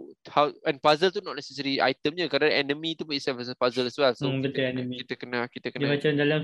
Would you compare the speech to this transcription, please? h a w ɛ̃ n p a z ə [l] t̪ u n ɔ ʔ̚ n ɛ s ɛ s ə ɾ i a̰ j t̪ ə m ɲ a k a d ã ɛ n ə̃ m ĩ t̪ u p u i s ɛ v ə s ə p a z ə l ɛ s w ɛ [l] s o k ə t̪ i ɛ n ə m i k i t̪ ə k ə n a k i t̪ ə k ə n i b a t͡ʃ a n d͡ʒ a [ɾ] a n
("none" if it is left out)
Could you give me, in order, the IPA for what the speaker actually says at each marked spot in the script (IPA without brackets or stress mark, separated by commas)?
l, l, l